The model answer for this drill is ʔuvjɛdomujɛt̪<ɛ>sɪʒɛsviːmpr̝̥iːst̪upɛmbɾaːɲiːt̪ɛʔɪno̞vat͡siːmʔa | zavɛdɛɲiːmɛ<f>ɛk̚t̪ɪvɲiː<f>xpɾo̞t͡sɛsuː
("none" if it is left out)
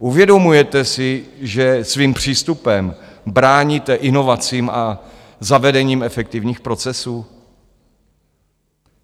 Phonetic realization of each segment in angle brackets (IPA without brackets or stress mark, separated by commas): ɛ, f, none